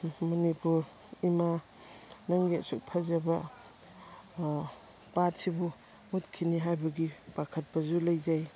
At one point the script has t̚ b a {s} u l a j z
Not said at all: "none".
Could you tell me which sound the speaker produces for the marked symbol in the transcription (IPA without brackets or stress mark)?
z